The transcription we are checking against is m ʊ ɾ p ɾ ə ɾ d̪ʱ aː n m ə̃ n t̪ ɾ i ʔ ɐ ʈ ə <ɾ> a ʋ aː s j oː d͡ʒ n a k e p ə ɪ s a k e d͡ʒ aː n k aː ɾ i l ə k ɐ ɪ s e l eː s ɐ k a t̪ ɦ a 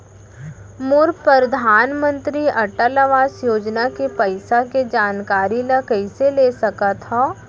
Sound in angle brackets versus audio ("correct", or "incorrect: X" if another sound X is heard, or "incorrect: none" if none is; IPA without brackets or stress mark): incorrect: l